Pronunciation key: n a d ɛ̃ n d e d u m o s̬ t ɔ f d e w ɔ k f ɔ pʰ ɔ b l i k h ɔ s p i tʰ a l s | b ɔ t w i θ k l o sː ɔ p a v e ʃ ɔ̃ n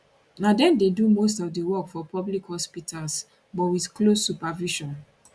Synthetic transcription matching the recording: n a d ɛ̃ n d e d u m o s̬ t ɔ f d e w ɔ k f ɔ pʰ ɔ b l i k h ɔ s p i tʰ a l s | b ɔ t w i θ k l o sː u p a v i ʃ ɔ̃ n